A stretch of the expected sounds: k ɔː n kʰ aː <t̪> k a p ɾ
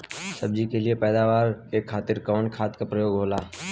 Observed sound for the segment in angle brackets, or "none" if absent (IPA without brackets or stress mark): t̪